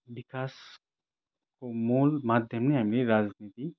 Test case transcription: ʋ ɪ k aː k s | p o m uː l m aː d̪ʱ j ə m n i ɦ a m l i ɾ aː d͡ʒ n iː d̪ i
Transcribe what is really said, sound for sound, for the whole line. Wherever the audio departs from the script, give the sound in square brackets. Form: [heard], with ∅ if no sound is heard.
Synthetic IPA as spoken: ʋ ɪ k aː [∅] s | [k] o m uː l m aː d̪ʱ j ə m n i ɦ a m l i ɾ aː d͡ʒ n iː [t̪] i